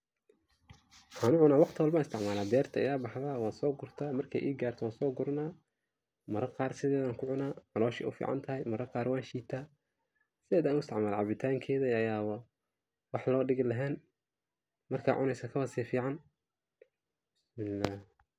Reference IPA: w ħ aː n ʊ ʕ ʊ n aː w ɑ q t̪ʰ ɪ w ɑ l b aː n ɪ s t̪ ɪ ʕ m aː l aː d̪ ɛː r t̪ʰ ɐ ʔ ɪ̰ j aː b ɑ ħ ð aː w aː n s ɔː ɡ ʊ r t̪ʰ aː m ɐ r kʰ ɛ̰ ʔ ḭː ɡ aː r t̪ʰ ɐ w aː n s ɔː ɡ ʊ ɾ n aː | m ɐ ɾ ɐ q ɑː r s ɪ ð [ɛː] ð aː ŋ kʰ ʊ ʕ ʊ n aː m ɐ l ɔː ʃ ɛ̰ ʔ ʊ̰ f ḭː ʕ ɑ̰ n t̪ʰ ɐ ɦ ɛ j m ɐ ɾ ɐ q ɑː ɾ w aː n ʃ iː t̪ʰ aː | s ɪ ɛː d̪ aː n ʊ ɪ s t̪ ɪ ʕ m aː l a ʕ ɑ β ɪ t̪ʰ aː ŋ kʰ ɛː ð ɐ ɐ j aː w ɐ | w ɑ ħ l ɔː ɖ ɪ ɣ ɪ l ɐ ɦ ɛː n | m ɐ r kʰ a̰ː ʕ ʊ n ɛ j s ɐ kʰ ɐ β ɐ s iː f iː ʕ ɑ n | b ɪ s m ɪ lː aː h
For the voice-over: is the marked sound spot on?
yes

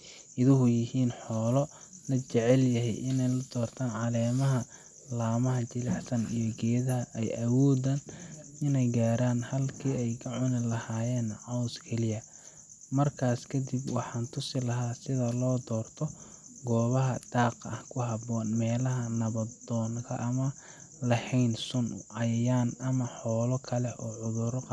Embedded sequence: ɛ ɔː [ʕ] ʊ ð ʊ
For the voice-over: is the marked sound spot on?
yes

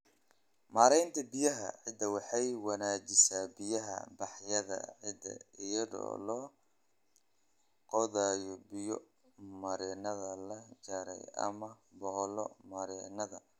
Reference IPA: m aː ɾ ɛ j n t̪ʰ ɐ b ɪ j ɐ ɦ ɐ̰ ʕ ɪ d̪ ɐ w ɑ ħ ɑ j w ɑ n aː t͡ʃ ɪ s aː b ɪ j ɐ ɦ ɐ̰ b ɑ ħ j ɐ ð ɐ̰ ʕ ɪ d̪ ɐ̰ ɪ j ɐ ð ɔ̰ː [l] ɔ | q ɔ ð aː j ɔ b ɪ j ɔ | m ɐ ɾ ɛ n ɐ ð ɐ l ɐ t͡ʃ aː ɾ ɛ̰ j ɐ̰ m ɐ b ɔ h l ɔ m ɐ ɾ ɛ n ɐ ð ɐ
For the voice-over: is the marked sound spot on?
yes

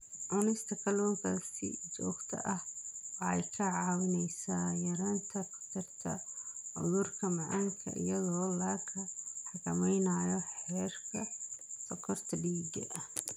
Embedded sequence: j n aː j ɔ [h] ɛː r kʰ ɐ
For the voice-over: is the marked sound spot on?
no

